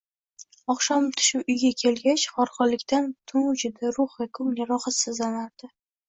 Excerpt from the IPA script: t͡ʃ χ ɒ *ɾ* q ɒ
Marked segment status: correct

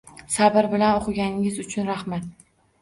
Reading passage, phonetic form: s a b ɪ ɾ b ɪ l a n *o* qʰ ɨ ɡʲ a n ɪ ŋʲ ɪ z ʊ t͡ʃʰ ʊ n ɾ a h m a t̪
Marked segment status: correct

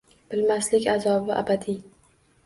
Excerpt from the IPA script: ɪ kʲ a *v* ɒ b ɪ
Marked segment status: incorrect: z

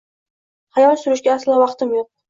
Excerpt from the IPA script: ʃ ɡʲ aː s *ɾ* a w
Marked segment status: incorrect: l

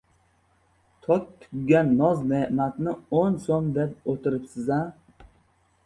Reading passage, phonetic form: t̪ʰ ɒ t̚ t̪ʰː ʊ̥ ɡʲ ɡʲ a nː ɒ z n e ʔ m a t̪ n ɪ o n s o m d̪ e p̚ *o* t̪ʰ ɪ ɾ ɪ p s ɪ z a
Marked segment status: correct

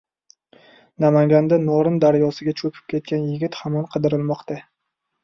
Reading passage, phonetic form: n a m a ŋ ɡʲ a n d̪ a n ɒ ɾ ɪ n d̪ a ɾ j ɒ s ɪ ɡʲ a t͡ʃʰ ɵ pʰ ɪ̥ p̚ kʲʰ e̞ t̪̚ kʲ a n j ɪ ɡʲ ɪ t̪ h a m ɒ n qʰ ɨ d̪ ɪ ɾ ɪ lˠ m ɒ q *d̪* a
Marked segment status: incorrect: t̪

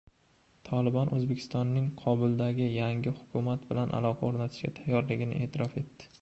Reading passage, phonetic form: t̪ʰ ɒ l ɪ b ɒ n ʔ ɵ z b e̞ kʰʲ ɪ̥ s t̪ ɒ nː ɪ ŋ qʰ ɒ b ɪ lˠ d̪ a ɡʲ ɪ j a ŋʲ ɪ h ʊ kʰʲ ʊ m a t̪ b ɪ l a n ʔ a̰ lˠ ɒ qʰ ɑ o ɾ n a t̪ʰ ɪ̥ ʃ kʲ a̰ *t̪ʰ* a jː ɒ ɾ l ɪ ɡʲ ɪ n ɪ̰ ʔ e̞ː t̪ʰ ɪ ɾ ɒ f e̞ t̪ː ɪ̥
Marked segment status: correct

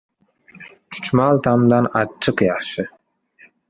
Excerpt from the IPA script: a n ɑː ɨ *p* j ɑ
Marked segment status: incorrect: q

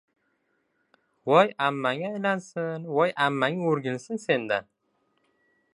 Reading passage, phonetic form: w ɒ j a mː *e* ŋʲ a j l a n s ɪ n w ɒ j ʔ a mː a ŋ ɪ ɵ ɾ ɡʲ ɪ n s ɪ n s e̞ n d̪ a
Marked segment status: incorrect: a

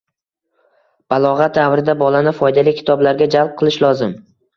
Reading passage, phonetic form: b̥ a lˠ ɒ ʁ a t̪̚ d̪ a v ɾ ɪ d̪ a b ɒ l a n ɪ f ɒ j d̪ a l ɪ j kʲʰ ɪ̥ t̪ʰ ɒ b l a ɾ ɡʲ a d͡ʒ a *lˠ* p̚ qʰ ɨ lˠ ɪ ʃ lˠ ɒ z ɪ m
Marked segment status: correct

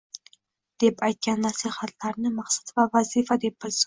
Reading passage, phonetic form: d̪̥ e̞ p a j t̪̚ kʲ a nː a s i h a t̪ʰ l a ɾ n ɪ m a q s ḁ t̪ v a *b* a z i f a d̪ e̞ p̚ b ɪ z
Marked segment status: incorrect: v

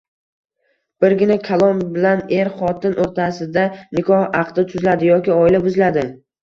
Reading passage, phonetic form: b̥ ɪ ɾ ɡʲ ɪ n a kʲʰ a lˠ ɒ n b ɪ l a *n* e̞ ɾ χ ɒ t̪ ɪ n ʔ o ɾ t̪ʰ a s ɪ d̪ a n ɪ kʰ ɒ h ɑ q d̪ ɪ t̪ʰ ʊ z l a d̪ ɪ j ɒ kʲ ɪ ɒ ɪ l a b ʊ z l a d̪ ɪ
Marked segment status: correct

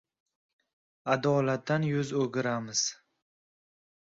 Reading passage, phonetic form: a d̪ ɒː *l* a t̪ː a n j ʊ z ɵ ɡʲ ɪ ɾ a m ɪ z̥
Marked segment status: correct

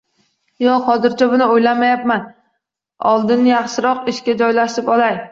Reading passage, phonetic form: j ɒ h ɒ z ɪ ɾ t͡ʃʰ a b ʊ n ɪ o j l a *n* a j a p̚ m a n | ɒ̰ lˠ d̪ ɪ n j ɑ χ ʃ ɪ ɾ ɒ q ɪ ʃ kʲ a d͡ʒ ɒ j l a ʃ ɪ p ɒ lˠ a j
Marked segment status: incorrect: m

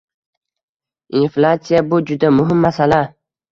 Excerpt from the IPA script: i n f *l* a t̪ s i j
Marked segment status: correct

